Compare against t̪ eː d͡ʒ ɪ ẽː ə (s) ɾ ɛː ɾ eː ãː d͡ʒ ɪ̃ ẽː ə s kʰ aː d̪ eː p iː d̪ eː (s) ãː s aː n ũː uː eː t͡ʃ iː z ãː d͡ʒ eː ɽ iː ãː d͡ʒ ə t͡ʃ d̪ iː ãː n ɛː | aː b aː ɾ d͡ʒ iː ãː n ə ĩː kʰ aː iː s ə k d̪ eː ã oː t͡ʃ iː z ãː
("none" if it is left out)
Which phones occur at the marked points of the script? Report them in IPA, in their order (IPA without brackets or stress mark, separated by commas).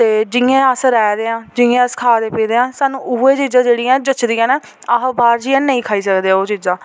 s, none